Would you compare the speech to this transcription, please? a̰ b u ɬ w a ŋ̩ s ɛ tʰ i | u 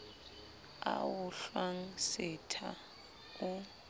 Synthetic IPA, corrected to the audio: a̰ w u ɬ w a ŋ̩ s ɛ tʰ a | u